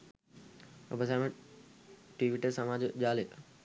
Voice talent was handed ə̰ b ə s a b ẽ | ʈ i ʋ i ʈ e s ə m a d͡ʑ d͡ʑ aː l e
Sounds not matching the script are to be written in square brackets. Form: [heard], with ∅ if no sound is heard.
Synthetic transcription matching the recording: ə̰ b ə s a [m] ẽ | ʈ i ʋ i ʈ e s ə m a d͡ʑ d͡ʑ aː l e